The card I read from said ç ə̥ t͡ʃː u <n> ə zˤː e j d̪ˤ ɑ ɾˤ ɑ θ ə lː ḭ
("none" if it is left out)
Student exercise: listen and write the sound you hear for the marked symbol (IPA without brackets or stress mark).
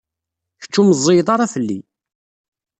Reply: m